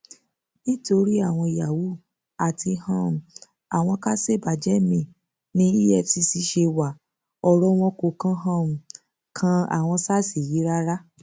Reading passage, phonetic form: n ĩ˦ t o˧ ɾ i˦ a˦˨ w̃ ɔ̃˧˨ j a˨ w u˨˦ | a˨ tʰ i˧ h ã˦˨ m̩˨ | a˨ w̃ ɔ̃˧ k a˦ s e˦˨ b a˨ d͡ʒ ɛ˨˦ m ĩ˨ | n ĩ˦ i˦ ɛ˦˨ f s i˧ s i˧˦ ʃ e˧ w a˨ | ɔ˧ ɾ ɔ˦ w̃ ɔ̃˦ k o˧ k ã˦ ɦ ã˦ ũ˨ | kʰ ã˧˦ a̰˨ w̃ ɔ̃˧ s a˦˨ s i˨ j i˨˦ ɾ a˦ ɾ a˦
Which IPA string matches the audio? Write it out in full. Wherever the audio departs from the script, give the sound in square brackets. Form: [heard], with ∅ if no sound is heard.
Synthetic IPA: n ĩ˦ t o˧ ɾ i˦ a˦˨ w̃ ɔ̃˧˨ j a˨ w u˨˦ | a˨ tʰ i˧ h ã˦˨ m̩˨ | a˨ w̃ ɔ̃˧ k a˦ s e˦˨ b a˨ d͡ʒ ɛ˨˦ m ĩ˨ | n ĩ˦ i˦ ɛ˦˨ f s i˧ s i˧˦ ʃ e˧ w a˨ | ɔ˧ ɾ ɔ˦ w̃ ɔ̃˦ k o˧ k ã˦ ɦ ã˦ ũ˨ | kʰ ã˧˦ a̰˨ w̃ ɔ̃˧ s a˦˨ s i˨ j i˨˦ ɾ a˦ ɾ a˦